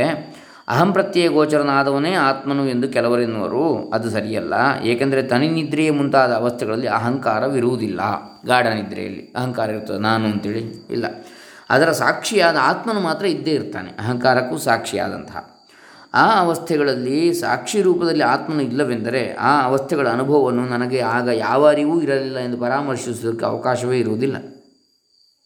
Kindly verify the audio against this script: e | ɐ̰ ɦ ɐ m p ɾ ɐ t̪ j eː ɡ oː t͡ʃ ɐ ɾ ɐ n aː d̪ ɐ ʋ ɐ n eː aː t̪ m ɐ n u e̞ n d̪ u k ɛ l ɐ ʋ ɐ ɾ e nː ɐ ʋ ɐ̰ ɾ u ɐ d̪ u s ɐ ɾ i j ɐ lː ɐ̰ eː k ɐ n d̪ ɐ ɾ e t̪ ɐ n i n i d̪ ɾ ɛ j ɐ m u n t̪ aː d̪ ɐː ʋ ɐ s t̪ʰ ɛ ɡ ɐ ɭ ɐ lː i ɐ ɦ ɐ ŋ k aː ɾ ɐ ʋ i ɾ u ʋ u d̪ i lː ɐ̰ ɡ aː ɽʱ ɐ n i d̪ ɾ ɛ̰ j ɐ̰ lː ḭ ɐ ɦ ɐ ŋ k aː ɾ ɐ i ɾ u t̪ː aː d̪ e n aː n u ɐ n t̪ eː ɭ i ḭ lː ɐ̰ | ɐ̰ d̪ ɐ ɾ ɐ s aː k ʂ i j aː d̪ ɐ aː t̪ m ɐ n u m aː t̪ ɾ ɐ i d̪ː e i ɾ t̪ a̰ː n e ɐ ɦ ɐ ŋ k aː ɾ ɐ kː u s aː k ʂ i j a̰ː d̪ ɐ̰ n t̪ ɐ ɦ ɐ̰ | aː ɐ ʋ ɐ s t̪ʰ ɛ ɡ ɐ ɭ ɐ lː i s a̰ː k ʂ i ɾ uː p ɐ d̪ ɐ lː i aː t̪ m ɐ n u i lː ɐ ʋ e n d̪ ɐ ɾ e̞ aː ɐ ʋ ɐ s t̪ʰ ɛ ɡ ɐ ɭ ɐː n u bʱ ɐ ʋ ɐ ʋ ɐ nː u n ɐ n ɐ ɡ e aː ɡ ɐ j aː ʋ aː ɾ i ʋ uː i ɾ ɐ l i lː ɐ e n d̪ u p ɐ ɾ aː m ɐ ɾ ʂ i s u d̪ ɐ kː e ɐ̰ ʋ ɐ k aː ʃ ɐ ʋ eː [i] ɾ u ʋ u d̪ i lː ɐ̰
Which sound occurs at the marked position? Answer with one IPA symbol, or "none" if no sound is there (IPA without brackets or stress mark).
i